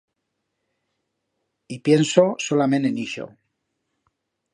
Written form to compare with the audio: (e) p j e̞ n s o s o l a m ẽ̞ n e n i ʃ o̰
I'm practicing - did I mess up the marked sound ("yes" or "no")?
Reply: yes